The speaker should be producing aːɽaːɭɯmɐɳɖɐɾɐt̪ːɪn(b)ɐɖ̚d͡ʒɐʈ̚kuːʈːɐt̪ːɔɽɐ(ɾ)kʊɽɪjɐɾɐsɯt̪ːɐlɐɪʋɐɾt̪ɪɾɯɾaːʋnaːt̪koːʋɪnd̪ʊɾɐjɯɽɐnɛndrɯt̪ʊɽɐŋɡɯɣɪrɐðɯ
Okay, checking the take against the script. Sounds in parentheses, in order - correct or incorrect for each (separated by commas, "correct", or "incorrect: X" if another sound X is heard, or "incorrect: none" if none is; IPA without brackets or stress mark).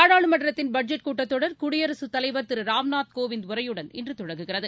correct, correct